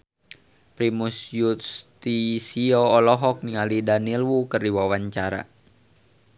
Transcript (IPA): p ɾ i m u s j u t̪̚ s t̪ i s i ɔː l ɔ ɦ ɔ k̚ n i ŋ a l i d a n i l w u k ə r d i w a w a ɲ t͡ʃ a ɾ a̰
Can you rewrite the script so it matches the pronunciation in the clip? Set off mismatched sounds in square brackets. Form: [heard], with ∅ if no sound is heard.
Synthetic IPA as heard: p ɾ i m u s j u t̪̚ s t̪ i s i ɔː l ɔ ɦ ɔ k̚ n i ŋ a l i d a n i l w u k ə r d i w a w a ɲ t͡ʃ a ɾ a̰